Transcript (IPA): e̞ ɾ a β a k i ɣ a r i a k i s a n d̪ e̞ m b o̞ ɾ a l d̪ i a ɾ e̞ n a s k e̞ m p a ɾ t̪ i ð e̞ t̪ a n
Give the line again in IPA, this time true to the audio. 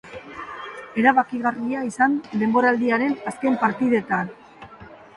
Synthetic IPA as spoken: e̞ ɾ a β a k i ɣ a r i a i s a n d̪ e̞ m b o̞ ɾ a l d̪ i a ɾ e̞ n a s k e̞ m p a ɾ t̪ i ð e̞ t̪ a n